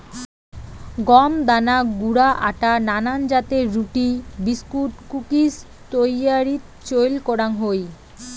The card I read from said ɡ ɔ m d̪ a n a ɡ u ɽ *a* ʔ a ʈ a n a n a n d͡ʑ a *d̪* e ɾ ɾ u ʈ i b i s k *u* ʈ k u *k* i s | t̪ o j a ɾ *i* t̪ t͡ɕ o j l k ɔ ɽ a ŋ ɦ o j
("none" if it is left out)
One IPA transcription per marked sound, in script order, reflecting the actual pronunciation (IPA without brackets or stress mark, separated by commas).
a, t̪, u, k, i